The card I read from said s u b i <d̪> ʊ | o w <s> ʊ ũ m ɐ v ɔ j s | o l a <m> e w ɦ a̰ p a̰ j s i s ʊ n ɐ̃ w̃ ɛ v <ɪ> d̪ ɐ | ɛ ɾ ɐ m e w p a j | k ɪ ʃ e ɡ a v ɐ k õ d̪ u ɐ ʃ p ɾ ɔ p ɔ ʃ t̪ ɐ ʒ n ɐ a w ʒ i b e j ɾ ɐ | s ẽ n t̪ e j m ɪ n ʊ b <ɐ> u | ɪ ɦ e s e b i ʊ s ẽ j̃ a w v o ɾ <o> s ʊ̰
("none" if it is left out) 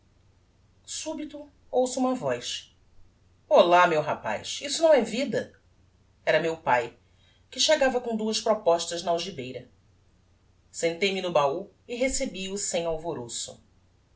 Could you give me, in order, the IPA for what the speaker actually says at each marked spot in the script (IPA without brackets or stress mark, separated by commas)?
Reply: t̪, s, m, i, a, o